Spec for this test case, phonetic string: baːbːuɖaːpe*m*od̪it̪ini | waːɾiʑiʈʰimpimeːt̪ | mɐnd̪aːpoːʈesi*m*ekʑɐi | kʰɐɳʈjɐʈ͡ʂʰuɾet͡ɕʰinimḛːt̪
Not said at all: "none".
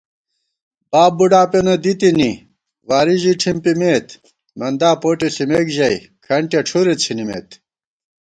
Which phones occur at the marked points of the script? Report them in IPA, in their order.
n, m

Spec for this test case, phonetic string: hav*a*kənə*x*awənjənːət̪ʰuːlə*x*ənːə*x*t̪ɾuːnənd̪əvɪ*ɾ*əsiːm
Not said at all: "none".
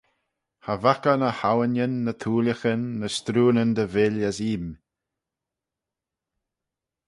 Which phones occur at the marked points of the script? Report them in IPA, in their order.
a, h, x, s, l

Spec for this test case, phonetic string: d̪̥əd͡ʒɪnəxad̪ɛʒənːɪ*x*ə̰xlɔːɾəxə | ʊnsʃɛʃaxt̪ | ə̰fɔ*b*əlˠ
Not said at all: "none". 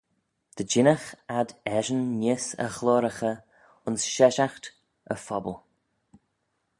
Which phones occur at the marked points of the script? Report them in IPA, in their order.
s, b

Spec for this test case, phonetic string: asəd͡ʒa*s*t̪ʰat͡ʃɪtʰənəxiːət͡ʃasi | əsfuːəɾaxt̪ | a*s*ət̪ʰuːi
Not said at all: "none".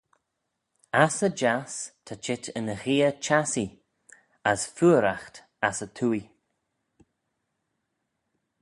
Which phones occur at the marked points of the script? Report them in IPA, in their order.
s, s

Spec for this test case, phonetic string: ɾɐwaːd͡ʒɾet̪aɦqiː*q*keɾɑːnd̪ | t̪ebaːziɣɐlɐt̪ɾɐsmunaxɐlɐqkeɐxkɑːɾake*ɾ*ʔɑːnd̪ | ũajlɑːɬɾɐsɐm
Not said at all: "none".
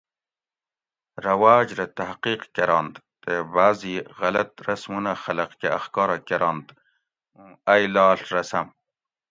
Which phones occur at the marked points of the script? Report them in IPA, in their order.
q, ɾ

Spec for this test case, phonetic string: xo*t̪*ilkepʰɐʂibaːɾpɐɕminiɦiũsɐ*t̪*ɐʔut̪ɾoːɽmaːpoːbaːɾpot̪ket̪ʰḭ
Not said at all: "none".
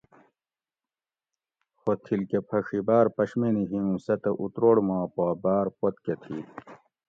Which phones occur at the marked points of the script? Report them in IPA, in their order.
t̪ʰ, t̪

